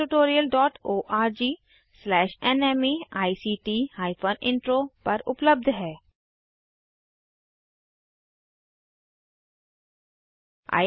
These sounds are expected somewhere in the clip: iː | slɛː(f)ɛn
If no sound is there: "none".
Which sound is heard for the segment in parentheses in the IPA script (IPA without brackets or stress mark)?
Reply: ʃ